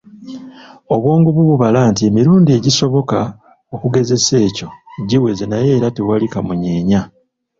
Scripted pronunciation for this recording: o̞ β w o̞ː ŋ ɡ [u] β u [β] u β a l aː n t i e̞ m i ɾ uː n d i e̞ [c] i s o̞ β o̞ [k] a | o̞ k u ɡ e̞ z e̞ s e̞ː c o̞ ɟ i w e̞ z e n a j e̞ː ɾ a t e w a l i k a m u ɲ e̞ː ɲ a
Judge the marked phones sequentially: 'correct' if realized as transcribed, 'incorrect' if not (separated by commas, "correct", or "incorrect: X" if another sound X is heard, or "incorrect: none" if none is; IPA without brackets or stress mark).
correct, correct, incorrect: ɟ, correct